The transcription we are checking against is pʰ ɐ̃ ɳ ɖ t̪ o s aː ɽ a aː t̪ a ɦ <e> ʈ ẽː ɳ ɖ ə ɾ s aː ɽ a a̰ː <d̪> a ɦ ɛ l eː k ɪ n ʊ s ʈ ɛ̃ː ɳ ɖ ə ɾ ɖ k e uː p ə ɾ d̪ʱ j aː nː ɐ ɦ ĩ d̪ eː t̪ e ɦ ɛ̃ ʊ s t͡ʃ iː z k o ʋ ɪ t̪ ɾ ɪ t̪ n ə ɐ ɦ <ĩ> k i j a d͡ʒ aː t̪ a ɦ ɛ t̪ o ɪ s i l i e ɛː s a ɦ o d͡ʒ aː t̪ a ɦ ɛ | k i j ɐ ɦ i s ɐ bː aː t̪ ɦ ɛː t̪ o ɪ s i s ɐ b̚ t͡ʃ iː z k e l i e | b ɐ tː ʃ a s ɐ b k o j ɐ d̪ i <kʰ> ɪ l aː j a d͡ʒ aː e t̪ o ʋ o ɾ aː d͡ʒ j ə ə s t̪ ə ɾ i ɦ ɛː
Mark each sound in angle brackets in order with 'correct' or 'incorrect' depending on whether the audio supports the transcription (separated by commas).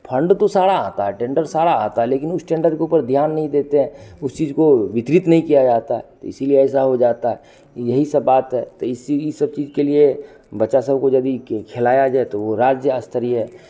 incorrect, incorrect, correct, correct